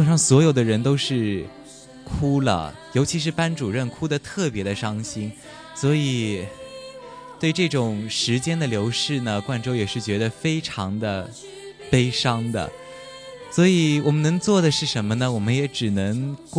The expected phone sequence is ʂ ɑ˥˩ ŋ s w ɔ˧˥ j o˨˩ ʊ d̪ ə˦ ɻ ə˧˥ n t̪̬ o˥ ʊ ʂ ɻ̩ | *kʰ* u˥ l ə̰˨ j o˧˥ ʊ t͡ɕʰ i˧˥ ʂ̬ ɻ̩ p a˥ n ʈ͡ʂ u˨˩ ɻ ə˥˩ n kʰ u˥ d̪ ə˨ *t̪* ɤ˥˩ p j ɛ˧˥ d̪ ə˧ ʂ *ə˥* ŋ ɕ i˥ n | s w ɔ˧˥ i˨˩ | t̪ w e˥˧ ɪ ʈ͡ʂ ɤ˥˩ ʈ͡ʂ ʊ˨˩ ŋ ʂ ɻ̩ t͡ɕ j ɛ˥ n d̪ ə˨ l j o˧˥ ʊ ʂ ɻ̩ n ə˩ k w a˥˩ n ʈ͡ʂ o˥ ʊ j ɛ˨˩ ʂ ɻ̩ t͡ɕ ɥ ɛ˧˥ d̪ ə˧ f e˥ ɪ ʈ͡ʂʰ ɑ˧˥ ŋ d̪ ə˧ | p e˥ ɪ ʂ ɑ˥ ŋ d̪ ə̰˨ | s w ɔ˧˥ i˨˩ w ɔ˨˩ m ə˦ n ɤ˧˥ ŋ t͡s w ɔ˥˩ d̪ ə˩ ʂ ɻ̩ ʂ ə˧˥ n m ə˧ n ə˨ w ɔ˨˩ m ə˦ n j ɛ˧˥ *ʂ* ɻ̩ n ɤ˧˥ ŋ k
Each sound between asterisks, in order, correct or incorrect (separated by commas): correct, incorrect, incorrect, incorrect